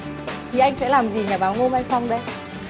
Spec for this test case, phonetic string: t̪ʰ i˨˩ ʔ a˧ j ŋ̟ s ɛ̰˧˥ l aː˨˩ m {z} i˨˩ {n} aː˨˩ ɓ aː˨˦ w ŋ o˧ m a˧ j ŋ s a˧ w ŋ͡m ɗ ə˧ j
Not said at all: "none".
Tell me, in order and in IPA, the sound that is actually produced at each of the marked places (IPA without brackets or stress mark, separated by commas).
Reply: z, ɲ